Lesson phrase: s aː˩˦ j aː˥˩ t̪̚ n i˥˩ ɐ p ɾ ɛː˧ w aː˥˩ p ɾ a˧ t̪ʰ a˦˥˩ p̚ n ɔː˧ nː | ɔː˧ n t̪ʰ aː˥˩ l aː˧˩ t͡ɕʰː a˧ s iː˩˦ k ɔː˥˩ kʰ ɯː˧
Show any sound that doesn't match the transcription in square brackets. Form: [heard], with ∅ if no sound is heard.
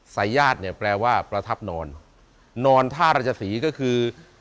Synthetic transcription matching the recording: s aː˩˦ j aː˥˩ t̪̚ n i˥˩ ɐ p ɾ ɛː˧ w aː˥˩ p ɾ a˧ t̪ʰ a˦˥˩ p̚ n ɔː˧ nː | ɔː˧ n t̪ʰ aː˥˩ [ɾ] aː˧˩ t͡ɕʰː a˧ s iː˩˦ k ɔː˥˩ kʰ ɯː˧

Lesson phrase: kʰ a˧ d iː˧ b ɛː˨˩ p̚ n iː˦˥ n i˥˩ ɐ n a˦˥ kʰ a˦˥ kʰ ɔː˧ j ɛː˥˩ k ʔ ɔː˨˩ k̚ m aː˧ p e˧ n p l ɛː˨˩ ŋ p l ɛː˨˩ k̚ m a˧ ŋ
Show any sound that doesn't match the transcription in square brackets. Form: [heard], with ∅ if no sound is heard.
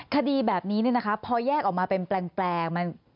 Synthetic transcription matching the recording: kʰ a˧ d iː˧ b ɛː˨˩ p̚ n iː˦˥ n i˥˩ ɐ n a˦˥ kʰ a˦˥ [pʰ] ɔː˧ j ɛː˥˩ k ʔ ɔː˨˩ k̚ m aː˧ p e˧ n p l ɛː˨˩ ŋ p l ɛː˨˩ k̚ m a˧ [n]

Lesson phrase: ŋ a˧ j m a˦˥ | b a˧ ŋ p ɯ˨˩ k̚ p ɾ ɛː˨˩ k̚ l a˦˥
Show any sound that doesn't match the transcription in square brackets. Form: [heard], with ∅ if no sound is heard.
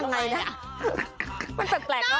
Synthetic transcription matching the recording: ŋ a˧ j [n] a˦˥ | [m] a˧ [n] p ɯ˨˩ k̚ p [l] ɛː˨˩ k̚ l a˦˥

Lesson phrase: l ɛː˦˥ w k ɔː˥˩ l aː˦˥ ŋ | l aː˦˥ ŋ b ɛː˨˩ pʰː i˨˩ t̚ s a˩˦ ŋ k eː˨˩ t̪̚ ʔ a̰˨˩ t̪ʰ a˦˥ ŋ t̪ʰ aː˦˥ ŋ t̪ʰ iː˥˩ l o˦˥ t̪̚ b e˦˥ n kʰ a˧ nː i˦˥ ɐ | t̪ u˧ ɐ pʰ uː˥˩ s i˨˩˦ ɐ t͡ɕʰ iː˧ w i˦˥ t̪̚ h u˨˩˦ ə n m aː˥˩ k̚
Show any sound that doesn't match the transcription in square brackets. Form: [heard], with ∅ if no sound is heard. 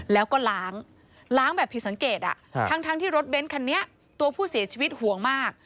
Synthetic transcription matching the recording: l ɛː˦˥ w k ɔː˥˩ l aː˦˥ ŋ | l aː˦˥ ŋ b ɛː˨˩ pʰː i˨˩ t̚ s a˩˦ ŋ k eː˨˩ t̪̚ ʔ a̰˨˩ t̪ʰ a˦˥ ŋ t̪ʰ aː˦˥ ŋ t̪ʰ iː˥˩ [ɾ] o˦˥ t̪̚ b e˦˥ n kʰ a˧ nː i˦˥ ɐ | t̪ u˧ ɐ pʰ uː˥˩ s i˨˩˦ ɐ t͡ɕʰ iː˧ w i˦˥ t̪̚ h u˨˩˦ ə [ŋ] m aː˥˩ k̚

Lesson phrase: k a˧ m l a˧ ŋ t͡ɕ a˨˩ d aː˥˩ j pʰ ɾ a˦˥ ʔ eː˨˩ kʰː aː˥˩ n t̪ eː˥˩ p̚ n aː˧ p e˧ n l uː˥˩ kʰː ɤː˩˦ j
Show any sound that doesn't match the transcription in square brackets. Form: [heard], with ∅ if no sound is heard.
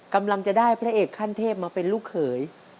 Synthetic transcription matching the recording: k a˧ m l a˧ ŋ t͡ɕ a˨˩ d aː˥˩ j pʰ ɾ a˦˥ ʔ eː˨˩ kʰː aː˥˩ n [t̪ʰ] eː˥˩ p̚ [m] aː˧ p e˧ n l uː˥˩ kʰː ɤː˩˦ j

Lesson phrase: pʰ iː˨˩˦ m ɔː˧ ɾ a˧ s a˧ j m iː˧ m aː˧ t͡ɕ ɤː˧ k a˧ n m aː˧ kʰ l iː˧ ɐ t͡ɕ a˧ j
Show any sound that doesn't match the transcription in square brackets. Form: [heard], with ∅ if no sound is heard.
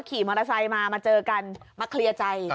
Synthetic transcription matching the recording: [kʰ] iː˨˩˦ m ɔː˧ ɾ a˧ s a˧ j m [aː˧] m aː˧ t͡ɕ ɤː˧ k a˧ n m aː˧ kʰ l [i˧] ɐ t͡ɕ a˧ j

